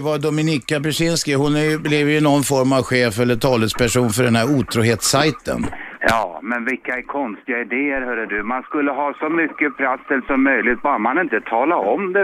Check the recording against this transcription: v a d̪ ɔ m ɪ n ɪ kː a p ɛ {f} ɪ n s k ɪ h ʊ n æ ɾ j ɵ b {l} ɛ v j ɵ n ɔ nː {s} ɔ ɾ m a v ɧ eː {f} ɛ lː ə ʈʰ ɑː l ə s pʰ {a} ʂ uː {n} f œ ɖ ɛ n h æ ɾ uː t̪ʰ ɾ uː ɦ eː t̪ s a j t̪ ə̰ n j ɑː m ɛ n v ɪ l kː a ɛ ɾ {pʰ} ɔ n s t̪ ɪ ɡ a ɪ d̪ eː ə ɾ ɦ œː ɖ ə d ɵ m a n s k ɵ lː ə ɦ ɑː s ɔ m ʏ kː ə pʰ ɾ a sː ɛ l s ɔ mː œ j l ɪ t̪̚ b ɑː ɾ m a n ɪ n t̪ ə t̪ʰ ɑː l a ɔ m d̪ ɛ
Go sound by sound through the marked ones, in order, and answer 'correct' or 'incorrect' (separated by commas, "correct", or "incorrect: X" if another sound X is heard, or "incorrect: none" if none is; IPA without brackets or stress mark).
incorrect: ʂ, correct, incorrect: f, correct, incorrect: æ, correct, incorrect: kʰ